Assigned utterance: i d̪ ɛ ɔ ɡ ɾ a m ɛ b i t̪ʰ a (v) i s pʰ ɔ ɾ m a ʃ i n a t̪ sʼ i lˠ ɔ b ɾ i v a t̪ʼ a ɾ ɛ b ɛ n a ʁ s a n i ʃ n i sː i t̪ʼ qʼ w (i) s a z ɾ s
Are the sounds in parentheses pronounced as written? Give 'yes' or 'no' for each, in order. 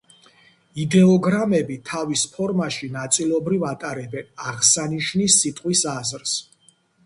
yes, yes

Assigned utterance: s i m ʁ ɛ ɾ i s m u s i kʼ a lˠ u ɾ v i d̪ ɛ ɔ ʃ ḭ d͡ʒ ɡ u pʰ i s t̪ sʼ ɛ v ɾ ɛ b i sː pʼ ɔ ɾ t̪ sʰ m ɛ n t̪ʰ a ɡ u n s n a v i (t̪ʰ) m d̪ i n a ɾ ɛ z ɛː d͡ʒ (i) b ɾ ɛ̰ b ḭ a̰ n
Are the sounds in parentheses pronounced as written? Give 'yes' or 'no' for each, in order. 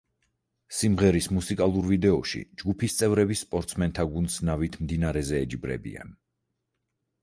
yes, yes

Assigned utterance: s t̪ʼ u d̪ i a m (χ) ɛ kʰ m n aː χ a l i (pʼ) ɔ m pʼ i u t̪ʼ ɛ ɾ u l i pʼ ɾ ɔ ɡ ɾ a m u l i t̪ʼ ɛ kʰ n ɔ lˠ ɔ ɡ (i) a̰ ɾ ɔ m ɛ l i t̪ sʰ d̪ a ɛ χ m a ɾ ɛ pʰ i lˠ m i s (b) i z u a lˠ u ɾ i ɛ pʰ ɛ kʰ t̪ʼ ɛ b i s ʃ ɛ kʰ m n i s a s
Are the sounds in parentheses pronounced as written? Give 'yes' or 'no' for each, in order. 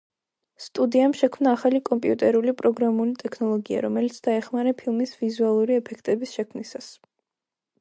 no, no, yes, no

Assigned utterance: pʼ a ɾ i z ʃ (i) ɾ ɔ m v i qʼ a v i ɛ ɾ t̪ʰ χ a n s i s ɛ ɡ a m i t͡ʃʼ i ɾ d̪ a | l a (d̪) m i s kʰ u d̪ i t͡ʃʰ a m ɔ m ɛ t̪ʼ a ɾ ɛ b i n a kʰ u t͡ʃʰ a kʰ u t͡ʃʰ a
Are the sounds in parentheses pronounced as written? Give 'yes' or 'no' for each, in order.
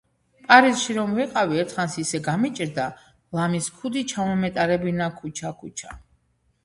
yes, no

